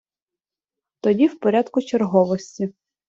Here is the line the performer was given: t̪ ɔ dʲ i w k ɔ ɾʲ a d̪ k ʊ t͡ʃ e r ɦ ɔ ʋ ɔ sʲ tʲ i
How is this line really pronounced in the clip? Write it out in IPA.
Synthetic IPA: t̪ ɔ dʲ i w p ɔ ɾʲ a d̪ k ʊ t͡ʃ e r ɦ ɔ ʋ ɔ sʲ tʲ i

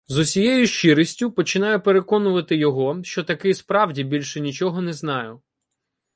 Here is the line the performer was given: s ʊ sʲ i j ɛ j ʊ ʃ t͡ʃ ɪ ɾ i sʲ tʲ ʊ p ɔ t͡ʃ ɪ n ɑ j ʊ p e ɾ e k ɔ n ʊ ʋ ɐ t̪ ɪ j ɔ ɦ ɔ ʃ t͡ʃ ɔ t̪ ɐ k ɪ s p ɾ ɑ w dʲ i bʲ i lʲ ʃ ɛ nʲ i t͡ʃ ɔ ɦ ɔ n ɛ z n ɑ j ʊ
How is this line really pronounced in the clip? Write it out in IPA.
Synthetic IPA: z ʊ sʲ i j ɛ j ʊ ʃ t͡ʃ ɪ ɾ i sʲ tʲ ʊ p ɔ t͡ʃ ɪ n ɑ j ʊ p e ɾ e k ɔ n ʊ ʋ ɐ t̪ ɪ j ɔ ɦ ɔ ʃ t͡ʃ ɔ t̪ ɐ k ɪ s p ɾ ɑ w dʲ i bʲ i lʲ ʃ ɛ nʲ i t͡ʃ ɔ ɦ ɔ n ɛ z n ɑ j ʊ

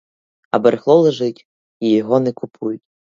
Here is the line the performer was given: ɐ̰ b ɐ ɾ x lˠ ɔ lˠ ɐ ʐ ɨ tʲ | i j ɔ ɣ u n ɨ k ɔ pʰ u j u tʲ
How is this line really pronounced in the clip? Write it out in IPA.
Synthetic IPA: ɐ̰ b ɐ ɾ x lˠ ɔ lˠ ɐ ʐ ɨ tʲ | i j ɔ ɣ ɔ n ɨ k u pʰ u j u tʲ

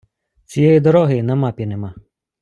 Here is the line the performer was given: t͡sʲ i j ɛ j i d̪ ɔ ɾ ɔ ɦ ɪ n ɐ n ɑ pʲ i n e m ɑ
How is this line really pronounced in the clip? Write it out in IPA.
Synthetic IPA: t͡sʲ i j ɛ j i d̪ ɔ ɾ ɔ ɦ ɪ n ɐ m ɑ pʲ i n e m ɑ

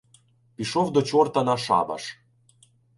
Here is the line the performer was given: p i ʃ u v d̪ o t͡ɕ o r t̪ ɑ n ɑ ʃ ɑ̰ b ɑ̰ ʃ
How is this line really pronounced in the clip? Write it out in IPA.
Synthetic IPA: p i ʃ o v d̪ o t͡ɕ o r t̪ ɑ n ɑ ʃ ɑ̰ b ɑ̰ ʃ

